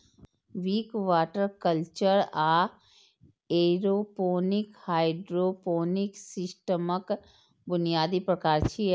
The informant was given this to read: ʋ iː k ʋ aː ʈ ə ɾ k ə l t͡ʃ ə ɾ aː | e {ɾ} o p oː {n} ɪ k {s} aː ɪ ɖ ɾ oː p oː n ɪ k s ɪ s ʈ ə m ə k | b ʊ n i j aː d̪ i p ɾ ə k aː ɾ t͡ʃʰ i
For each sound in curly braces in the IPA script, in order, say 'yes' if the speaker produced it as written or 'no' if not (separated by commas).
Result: yes, yes, no